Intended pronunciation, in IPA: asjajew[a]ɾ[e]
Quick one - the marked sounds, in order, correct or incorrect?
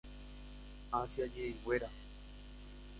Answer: incorrect: e, incorrect: a

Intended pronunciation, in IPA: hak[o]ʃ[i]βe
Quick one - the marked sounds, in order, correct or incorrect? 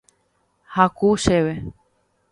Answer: incorrect: u, incorrect: e

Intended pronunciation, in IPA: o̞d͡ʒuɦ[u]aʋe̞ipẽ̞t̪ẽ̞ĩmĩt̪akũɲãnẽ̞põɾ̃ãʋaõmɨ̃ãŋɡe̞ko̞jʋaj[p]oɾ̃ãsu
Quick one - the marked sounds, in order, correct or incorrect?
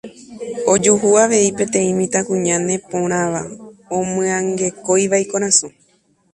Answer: correct, incorrect: k

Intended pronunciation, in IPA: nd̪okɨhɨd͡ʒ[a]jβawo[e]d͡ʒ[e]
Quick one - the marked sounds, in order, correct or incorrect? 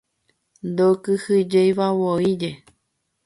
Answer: incorrect: e, incorrect: i, correct

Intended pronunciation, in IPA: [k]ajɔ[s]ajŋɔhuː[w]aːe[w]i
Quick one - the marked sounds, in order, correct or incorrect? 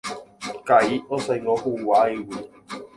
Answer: correct, correct, correct, correct

